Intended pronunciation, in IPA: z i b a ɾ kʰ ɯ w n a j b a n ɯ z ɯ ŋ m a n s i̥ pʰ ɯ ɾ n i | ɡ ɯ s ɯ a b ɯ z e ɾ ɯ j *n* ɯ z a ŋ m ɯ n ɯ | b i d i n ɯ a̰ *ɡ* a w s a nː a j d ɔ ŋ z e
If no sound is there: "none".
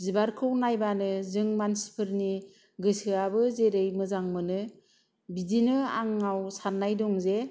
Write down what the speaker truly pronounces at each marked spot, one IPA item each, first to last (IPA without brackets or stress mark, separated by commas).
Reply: m, ŋ